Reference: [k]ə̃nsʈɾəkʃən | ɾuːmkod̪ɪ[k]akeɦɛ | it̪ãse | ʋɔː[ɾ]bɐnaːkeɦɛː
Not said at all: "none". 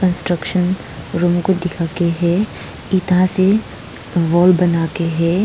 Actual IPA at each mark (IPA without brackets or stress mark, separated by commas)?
k, kʰ, l